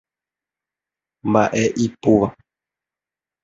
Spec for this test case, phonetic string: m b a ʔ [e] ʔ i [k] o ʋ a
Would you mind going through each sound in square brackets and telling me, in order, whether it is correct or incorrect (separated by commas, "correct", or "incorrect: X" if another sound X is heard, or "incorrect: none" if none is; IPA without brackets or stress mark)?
correct, incorrect: p